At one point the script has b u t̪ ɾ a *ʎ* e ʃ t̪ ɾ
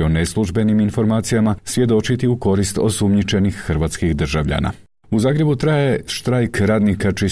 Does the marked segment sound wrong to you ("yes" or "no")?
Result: yes